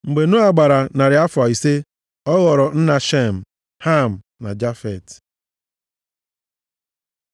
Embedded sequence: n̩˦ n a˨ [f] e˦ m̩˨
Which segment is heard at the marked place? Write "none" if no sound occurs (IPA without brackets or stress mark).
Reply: ʃ